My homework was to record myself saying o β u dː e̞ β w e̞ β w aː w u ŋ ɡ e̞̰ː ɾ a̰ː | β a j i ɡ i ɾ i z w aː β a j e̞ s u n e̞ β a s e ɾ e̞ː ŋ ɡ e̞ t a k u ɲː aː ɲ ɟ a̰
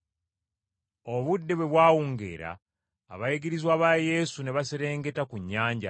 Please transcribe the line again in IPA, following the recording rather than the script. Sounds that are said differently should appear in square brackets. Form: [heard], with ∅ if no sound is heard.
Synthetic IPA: o β u dː e̞ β w e̞ β w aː w u ŋ ɡ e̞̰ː ɾ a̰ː | β a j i ɡ i ɾ i z w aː β a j e̞ s u n e̞ β a s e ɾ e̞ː ŋ ɡ e̞ t a k u ɲː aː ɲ ɟ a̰